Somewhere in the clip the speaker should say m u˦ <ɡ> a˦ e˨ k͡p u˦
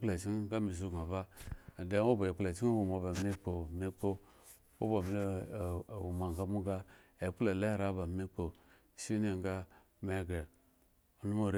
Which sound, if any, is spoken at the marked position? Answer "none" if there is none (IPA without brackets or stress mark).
ɡ